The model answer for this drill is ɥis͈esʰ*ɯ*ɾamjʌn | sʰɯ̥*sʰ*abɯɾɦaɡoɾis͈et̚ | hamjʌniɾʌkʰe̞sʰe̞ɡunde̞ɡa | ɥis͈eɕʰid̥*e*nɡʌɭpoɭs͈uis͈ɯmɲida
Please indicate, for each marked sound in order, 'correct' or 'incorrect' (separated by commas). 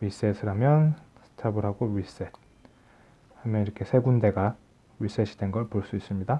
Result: correct, incorrect, correct